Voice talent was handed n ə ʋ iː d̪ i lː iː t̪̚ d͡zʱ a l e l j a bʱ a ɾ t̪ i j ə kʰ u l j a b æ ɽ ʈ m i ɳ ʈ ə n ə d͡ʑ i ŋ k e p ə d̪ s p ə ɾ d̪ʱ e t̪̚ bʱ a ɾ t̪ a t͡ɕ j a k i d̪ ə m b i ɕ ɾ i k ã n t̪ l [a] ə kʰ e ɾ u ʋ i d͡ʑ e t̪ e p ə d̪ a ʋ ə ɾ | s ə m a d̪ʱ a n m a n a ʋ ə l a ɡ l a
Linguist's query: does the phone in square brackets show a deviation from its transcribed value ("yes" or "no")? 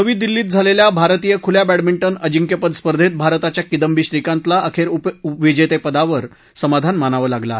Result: no